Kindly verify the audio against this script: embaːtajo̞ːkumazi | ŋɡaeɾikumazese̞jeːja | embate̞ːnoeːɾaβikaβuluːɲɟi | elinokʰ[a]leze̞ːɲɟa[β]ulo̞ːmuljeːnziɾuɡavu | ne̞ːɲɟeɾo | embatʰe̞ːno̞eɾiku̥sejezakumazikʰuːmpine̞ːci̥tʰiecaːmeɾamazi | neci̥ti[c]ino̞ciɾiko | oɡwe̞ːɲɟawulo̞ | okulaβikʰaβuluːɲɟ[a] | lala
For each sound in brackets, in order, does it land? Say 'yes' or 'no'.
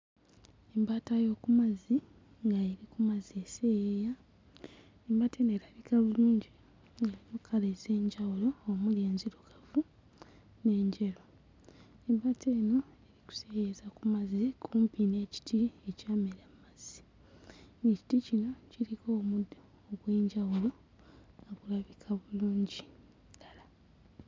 yes, no, yes, no

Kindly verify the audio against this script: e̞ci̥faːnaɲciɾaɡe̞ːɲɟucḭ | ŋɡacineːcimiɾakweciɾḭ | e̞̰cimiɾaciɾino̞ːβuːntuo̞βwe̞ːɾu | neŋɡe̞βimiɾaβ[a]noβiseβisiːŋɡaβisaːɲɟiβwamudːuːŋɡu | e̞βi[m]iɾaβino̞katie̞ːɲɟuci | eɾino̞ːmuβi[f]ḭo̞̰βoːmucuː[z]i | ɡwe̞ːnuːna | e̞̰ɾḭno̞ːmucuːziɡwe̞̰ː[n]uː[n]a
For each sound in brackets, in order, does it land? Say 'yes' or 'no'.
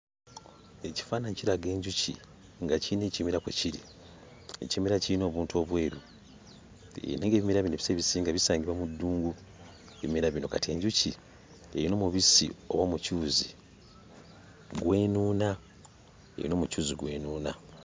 no, yes, no, yes, yes, yes

